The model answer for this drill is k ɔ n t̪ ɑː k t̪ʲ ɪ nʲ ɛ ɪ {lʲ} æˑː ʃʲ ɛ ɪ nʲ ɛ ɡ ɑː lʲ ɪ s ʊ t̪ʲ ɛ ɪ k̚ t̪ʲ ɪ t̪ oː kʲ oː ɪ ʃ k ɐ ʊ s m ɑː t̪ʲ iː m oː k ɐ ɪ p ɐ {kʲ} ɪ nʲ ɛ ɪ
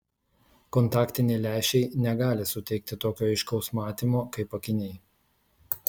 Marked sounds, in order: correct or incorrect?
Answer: correct, correct

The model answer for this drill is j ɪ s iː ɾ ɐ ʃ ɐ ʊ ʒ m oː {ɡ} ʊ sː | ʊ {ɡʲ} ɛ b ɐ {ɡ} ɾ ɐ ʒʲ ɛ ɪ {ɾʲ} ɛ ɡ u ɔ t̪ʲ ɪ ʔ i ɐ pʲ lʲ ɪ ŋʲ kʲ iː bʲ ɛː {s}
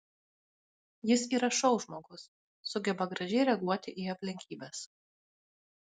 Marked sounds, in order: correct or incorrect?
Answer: correct, correct, correct, correct, correct

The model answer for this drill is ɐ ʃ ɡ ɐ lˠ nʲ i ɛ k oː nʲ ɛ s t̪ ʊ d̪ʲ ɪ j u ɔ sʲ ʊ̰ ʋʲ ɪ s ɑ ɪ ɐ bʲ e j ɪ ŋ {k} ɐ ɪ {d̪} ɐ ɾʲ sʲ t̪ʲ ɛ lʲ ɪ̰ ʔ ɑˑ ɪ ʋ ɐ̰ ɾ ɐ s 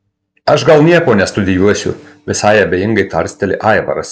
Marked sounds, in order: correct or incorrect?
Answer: incorrect: ɡ, incorrect: t̪

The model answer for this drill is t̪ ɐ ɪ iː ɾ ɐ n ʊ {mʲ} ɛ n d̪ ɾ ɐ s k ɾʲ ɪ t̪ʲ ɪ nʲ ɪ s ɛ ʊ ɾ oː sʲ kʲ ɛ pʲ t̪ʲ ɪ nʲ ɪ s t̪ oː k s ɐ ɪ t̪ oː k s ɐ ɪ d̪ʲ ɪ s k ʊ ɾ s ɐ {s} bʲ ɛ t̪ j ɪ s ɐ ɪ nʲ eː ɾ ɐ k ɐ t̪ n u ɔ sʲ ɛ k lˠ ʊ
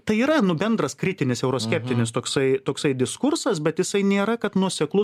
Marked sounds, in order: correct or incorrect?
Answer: incorrect: bʲ, correct

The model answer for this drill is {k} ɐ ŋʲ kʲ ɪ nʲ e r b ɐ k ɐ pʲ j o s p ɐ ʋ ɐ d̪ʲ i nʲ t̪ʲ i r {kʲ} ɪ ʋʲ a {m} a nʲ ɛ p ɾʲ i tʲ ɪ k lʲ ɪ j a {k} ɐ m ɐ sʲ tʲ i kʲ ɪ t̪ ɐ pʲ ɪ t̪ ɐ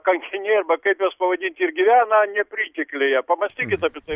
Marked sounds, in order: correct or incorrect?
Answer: correct, incorrect: ɡʲ, incorrect: n, incorrect: p

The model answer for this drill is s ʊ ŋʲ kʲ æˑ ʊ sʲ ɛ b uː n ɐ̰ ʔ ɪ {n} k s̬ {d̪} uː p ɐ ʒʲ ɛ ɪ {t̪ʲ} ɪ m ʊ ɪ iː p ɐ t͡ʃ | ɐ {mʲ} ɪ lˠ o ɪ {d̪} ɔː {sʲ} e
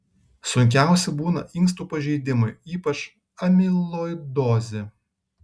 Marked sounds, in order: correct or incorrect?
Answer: incorrect: ŋ, incorrect: t̪, incorrect: d̪ʲ, correct, correct, incorrect: zʲ

